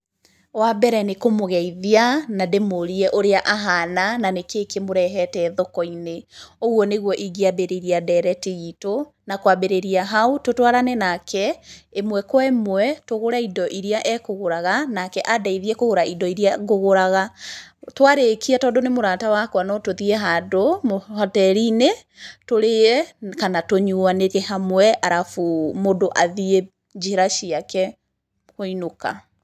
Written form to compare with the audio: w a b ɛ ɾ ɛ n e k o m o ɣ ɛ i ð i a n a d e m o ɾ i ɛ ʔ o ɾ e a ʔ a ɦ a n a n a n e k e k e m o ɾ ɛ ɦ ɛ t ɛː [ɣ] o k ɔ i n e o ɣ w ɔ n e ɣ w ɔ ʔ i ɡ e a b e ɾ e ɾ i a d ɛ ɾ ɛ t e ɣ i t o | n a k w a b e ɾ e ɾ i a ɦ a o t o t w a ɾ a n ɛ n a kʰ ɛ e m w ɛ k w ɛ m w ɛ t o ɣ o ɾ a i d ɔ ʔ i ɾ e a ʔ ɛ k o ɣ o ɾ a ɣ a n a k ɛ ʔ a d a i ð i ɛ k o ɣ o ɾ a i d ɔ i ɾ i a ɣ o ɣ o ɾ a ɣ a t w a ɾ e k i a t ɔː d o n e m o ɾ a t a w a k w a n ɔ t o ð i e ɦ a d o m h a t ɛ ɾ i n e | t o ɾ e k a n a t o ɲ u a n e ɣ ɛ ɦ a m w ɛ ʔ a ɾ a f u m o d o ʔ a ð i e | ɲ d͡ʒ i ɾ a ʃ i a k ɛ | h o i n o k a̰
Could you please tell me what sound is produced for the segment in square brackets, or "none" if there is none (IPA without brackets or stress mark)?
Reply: ð